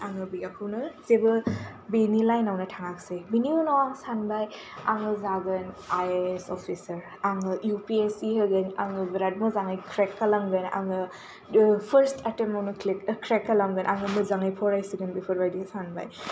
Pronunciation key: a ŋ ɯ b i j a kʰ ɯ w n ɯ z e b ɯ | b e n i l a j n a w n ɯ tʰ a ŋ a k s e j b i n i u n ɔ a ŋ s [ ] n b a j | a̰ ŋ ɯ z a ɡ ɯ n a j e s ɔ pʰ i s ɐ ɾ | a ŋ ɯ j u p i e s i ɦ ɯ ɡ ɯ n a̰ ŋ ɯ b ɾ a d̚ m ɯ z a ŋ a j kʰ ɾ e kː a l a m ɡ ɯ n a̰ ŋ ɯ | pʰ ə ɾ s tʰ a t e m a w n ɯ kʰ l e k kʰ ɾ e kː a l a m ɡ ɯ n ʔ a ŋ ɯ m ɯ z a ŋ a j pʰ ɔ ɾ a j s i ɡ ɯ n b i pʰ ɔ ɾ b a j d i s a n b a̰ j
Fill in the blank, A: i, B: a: B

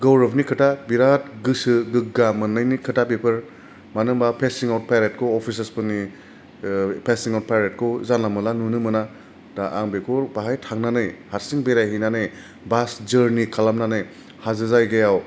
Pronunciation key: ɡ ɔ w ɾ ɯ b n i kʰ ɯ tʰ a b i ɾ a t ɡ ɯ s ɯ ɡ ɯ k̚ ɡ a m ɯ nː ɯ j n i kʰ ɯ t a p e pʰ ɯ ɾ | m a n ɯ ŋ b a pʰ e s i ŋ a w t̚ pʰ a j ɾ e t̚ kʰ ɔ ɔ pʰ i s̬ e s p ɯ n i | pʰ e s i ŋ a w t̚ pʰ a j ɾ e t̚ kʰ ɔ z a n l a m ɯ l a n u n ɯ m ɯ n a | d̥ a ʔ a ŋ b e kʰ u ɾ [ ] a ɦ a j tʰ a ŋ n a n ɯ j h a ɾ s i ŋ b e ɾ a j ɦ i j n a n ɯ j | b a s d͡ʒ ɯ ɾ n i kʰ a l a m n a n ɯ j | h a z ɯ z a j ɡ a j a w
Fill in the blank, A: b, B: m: A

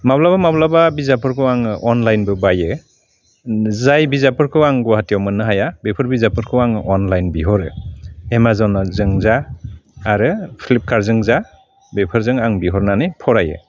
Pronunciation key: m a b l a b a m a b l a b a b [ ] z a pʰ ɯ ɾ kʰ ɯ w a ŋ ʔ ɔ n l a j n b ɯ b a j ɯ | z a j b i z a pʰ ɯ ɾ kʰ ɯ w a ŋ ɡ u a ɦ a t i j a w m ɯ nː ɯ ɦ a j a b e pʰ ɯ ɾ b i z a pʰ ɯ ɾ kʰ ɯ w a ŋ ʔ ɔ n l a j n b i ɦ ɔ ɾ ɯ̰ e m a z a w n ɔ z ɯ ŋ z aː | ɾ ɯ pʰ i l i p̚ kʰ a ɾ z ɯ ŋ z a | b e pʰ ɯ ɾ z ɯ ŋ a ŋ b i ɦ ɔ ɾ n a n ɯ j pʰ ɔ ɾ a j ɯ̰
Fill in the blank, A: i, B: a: A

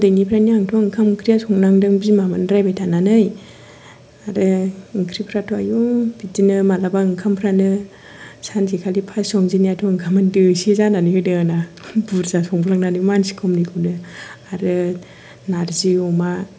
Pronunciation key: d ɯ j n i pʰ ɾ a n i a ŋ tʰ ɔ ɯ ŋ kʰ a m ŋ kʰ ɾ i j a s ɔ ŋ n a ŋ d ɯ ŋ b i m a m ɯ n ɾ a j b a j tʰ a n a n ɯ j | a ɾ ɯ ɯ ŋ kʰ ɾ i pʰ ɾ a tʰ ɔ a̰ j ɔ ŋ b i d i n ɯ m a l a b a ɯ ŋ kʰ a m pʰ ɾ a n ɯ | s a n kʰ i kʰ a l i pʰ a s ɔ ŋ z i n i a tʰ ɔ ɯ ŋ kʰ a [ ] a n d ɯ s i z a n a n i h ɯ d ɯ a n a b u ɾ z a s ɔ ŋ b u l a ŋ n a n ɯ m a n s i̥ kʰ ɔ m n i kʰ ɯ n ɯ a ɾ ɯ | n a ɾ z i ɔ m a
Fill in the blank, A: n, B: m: B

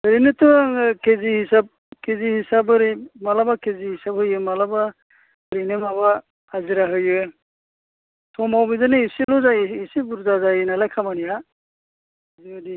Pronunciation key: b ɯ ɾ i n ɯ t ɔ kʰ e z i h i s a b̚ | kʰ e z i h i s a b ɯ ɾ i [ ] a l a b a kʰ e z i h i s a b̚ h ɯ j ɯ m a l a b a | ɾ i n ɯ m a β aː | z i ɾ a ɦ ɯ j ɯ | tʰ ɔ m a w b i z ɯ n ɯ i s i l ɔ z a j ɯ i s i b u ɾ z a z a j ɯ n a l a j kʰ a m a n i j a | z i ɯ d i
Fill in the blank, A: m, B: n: A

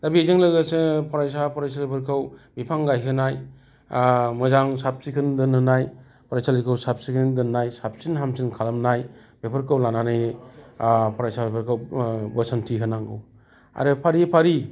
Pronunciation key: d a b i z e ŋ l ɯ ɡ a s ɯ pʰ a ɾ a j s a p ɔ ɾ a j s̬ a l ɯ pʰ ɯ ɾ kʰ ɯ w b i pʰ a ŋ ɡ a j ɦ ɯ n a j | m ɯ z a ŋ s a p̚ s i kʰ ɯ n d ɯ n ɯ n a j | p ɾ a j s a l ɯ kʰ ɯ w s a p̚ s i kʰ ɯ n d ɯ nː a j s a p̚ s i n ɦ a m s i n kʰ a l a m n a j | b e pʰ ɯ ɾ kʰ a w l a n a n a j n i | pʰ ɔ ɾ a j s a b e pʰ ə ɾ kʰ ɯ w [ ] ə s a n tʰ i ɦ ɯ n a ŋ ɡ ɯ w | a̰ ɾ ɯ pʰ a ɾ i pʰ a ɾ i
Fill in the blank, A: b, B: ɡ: A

